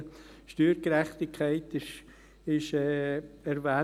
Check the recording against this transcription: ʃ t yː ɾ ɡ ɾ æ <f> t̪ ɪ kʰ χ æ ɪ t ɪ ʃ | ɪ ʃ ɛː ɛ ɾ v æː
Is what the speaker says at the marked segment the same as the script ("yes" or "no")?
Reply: no